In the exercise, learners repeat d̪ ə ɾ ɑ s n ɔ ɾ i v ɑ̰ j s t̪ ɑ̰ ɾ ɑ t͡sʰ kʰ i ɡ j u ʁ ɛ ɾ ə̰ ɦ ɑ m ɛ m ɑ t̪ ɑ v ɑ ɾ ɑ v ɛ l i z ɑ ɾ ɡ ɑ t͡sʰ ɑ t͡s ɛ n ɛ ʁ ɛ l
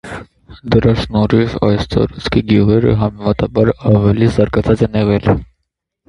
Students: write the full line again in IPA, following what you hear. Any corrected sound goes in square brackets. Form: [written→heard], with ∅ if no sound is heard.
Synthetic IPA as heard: d̪ ə ɾ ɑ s n ɔ ɾ i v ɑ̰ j s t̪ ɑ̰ ɾ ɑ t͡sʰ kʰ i ɡ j u ʁ ɛ ɾ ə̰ ɦ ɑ m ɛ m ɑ t̪ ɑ [v→b] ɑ ɾ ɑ v ɛ l i z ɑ ɾ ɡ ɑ t͡sʰ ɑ t͡s ɛ n ɛ ʁ ɛ l